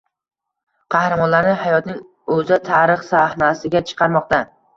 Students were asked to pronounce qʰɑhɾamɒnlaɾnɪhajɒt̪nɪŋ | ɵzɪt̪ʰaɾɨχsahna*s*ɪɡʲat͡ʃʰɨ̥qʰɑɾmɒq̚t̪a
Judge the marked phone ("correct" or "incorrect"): correct